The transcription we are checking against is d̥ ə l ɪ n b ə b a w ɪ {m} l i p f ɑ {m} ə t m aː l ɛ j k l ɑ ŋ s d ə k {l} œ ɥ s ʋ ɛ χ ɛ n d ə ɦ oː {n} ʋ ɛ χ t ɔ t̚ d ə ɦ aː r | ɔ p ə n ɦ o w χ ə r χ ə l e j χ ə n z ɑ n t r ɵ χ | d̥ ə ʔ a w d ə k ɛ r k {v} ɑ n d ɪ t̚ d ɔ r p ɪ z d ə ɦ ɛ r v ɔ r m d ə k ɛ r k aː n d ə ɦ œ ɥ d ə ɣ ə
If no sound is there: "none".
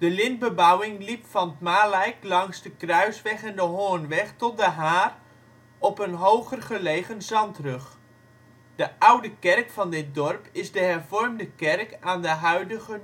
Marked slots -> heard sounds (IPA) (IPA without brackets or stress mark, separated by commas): ŋ, n, r, n, f